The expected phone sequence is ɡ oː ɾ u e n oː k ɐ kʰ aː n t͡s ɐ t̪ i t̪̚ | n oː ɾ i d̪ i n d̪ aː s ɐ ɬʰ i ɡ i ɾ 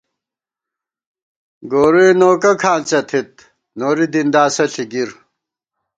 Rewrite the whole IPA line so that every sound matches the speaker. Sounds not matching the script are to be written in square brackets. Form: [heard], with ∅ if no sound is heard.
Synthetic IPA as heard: ɡ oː ɾ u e n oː k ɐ kʰ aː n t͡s ɐ [t̪ʰ] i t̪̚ | n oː ɾ i d̪ i n d̪ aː s ɐ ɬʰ i ɡ i ɾ